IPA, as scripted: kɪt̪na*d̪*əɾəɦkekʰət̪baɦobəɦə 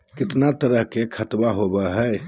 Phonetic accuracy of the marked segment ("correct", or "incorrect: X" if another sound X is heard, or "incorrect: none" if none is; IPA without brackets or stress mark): incorrect: t̪